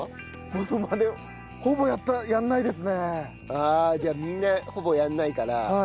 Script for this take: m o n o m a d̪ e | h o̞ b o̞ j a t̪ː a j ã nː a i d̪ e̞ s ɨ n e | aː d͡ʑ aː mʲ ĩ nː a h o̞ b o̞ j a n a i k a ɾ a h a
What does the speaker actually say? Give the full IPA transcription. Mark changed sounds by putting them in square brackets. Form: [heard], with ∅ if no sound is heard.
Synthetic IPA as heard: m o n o m a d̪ e | h o̞ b o̞ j a t̪ː a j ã nː a i d̪ e̞ s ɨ n e | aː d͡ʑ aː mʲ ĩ nː a h o̞ b o̞ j a [nː] a i k a ɾ a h a